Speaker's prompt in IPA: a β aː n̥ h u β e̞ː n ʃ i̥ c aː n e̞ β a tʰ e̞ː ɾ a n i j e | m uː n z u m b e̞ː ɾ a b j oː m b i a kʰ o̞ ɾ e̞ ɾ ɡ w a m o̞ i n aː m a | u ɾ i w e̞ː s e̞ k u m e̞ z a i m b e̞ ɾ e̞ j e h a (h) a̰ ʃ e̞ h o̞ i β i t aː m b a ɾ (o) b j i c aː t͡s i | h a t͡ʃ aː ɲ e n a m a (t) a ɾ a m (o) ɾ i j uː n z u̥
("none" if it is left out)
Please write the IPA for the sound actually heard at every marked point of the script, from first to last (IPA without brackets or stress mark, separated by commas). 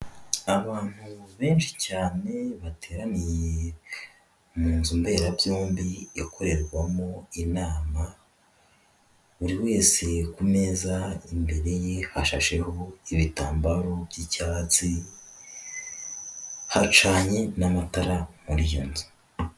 ʃ, o, t, u